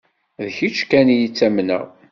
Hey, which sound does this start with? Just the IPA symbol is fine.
ð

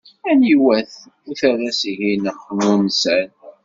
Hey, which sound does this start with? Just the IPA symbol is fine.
æ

